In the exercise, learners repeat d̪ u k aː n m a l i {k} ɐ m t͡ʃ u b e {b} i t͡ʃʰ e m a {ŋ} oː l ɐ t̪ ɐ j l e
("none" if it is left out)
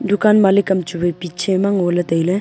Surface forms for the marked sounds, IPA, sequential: k, p, ŋ

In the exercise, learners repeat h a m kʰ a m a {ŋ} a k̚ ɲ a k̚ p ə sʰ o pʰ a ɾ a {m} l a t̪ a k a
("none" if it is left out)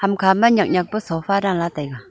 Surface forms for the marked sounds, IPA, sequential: ɲ, ŋ

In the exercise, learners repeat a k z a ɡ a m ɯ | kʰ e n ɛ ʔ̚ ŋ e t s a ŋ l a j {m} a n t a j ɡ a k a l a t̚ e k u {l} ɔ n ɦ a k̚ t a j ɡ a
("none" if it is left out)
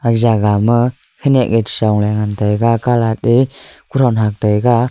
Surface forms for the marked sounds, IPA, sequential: ŋ, ɾ

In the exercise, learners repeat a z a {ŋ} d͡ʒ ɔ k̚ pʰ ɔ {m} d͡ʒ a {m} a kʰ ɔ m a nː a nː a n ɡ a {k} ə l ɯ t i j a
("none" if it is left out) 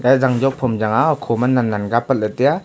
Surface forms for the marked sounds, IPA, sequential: ŋ, m, ŋ, p

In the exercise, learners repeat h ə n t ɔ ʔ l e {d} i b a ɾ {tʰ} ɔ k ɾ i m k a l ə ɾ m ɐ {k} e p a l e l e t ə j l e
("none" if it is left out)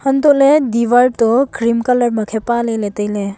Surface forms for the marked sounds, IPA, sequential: d, t, kʰ

